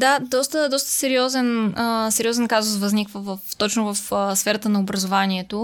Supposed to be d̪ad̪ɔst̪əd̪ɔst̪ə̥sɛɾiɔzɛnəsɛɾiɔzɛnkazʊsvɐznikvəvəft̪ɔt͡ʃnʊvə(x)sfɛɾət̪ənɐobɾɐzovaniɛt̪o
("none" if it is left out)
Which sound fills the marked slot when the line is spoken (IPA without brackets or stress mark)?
f